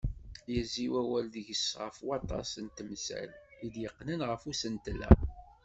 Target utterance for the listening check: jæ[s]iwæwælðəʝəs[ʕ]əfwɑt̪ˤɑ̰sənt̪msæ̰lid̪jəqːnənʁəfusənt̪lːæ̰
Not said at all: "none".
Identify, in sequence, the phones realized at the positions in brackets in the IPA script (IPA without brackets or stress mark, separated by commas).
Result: z, ʁ